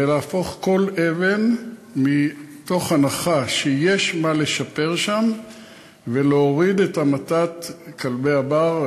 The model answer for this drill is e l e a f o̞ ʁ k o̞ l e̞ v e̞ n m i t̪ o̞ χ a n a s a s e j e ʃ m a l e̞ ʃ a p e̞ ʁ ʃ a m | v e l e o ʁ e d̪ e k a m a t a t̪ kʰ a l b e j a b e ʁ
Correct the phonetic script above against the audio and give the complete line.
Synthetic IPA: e l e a f o̞ χ k o̞ l e̞ v e̞ n m i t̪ o̞ χ a n a χ a ʃ e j e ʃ m a l e̞ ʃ a p e̞ ʁ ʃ a m | v e l e o ʁ i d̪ e t a m a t a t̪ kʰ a l b e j a b a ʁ